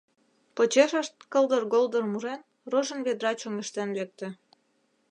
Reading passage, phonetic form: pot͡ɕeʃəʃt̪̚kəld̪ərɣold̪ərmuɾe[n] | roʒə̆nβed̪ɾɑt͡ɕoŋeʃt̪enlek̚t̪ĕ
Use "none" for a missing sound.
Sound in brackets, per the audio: n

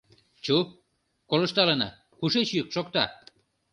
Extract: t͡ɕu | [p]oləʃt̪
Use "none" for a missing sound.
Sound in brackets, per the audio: k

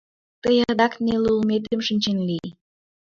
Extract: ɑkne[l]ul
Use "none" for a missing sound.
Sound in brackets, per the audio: l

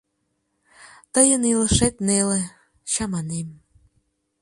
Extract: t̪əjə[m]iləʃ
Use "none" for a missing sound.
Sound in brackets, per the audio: n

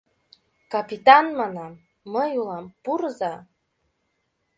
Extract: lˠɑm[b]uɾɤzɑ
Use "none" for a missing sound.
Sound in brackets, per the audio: p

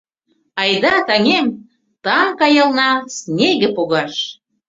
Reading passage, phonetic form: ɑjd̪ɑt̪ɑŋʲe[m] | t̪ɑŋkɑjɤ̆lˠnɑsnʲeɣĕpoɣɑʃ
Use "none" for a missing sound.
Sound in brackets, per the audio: m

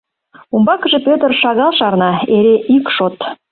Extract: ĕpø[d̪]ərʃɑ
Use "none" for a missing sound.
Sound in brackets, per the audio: t̪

